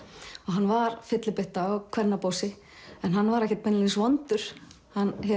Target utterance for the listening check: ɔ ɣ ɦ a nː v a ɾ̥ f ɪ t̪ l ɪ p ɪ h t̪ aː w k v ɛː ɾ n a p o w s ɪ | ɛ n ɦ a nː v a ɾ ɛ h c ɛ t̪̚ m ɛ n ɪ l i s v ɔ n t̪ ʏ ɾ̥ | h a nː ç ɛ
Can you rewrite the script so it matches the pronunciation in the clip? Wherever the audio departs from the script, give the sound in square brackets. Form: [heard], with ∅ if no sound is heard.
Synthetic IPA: ɔ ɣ ɦ a nː v a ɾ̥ f ɪ t̪ l ɪ p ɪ h t̪ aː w [kʰ] v [ɛ] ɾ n a p o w s ɪ | ɛ n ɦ a nː v a ɾ ɛ h c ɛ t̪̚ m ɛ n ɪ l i s v ɔ n t̪ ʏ ɾ̥ | h a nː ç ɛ